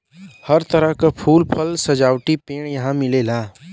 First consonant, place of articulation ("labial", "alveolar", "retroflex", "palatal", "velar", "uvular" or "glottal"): glottal